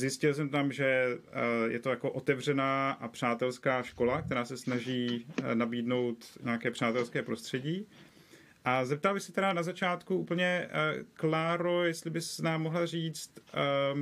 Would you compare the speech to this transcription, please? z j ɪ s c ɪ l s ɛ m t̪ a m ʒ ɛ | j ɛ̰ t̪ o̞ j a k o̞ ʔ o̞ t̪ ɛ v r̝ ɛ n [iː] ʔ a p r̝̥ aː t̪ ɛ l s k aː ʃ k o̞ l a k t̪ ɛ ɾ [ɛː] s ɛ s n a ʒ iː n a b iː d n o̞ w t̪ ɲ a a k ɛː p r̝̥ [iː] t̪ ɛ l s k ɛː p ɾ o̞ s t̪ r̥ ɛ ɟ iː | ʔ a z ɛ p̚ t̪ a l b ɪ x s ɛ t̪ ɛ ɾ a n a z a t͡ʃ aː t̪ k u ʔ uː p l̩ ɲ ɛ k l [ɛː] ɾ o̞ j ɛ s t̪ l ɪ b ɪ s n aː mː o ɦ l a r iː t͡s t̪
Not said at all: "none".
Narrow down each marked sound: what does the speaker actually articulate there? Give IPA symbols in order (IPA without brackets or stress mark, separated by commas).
aː, aː, aː, aː